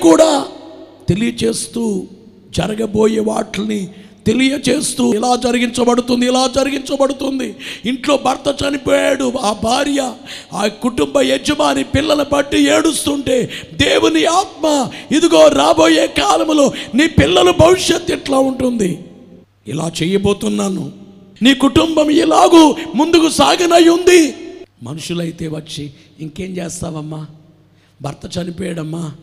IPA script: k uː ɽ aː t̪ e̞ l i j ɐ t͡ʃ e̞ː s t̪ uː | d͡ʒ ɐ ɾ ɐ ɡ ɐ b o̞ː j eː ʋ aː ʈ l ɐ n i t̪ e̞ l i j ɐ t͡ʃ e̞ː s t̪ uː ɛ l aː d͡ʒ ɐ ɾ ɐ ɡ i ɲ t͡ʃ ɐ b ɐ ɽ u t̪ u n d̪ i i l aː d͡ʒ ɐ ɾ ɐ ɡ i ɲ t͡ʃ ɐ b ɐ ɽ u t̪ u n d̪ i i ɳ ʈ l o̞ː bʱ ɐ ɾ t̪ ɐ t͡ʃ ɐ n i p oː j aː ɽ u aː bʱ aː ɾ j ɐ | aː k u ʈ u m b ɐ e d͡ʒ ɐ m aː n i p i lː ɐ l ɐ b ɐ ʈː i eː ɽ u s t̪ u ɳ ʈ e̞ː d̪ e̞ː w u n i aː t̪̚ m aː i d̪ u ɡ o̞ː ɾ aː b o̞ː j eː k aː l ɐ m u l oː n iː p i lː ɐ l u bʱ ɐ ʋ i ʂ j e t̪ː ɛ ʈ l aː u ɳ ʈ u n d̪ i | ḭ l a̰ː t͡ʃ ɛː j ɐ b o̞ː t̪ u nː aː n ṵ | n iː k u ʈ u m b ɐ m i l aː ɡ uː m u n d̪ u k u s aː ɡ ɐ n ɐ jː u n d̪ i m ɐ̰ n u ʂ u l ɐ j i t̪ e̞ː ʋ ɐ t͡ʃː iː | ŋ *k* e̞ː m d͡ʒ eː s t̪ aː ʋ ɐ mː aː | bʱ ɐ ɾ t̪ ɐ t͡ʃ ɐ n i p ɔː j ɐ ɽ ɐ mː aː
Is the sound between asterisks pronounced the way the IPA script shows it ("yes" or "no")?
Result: yes